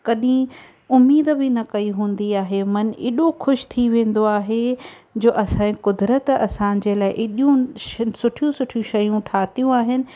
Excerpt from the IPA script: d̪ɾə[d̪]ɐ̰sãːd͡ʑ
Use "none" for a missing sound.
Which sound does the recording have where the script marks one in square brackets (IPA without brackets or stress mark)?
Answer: t̪